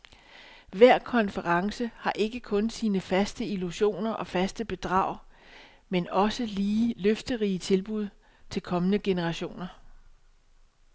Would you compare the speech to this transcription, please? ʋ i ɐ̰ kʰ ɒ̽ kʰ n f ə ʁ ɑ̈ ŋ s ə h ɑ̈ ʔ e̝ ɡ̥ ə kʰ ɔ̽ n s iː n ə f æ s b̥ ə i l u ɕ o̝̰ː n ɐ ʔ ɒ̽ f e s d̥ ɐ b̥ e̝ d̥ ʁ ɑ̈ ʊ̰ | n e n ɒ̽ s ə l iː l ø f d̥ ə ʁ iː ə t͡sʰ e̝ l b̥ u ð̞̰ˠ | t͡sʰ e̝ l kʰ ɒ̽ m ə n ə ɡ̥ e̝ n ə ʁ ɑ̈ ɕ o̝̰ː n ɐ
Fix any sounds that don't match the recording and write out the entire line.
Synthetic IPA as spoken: ʋ æ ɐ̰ kʰ ɒ̽ n f ə ʁ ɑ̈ ŋ s ə h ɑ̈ ʔ e̝ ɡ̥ ə kʰ ɔ̽ n s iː n ə f æ s d̥ ə i l u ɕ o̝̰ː n ɐ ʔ ɒ̽ f æ s d̥ ə b̥ e̝ d̥ ʁ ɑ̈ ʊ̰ | m e n ɒ̽ s ə l iː l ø f d̥ ə ʁ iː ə t͡sʰ e̝ l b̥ u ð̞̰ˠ | t͡sʰ e̝ l kʰ ɒ̽ m ə n ə ɡ̥ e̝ n ə ʁ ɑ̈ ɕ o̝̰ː n ɐ

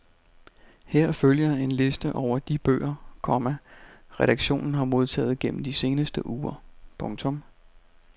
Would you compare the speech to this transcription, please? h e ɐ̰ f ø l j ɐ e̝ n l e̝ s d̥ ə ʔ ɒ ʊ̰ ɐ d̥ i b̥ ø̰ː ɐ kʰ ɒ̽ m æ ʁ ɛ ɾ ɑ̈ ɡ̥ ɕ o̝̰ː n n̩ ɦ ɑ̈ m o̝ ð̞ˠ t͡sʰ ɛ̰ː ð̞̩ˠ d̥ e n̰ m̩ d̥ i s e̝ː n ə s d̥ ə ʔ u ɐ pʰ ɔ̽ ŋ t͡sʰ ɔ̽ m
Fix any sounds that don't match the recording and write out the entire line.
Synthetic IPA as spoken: h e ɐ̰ f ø l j ɐ e̝ n l e̝ s d̥ ə ʔ ɒ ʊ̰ ɐ d̥ i b̥ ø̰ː ɐ kʰ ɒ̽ m æ ʁ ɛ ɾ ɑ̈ ɡ̥ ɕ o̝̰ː n n̩ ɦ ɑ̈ m o̝ ð̞ˠ t͡sʰ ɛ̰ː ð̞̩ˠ ɡ̥ e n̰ m̩ d̥ i s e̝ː n ə s d̥ ə ʔ uː ɐ pʰ ɔ̽ ŋ t͡sʰ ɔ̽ m

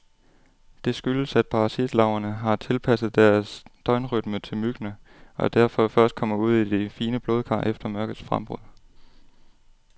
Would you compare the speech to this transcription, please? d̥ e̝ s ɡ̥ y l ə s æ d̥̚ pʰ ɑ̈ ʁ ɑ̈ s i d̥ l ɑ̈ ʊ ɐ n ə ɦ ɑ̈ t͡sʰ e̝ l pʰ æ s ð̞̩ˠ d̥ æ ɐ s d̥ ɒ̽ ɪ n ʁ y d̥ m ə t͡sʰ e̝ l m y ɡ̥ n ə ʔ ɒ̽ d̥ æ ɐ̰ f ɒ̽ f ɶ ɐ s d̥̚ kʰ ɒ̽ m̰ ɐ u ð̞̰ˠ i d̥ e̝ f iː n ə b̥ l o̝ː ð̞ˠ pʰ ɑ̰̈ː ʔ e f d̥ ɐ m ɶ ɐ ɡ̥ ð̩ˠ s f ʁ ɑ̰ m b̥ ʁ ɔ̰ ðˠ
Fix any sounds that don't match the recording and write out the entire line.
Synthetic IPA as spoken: d̥ e̝ s ɡ̥ y l ə s æ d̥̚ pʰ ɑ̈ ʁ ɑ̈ s i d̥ l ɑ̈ ʊ ɐ n ə ɦ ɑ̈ t͡sʰ e̝ l pʰ æ s ð̞̩ˠ d̥ æ ɐ s d̥ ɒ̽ ɪ n ʁ y d̥ m ə t͡sʰ e̝ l m y ɡ̥ n ə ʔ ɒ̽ d̥ æ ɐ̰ f ɒ̽ f ɶ ɐ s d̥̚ kʰ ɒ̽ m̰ ɐ u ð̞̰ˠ i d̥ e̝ f iː n ə b̥ l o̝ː ð̞ˠ kʰ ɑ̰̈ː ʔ e f d̥ ɐ m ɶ ɐ ɡ̥ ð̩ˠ s f ʁ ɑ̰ m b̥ ʁ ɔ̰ ðˠ

